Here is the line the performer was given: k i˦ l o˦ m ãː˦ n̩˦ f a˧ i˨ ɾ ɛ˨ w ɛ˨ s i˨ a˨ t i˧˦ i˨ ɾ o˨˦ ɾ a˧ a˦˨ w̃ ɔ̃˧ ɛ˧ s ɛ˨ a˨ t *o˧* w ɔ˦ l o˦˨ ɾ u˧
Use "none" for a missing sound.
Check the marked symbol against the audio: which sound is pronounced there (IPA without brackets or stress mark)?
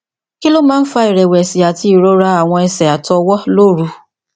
ɔ˧